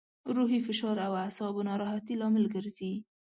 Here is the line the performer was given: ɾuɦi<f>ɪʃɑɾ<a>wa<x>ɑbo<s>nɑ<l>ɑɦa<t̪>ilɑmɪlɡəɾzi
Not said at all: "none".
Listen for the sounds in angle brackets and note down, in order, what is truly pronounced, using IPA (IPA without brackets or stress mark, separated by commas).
f, a, s, none, ɾ, t̪